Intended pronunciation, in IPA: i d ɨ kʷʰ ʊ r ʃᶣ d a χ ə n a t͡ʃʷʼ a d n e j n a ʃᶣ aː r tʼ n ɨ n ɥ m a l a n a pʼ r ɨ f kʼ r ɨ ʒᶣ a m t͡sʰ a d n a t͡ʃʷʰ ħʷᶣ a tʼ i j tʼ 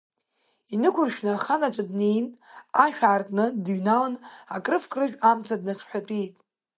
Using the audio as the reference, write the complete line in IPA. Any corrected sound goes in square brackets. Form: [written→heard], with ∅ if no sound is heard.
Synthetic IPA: i [d→n] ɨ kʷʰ ʊ r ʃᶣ [d→n] a χ [ə→a] n a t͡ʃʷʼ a d n e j n a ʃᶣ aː r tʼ n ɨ [n→d] ɥ [m→n] a l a n a [pʼ→kʼ] r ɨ f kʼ r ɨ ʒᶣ a m t͡sʰ a d n a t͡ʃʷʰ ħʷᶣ a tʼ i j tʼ